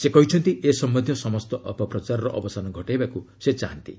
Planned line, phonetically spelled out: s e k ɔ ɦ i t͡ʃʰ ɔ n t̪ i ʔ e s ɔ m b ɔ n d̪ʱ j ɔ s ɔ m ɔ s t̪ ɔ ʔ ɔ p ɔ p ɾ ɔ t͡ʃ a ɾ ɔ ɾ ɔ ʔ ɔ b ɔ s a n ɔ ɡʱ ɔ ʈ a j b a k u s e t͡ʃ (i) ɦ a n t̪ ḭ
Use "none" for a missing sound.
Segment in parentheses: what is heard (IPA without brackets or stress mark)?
a